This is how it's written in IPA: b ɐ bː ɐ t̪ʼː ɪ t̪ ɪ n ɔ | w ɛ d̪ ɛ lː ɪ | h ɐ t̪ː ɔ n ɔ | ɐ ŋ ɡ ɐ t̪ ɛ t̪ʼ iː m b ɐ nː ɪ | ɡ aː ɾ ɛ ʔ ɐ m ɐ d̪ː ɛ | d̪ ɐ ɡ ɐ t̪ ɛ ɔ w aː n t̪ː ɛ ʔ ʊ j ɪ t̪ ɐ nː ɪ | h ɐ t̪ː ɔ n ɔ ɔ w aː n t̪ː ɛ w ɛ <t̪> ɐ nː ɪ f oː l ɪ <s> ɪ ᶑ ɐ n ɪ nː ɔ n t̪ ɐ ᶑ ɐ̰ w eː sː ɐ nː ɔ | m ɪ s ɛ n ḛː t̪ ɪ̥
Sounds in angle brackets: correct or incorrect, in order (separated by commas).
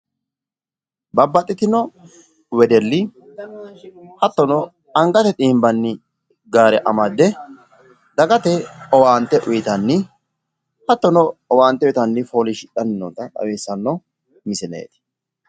correct, incorrect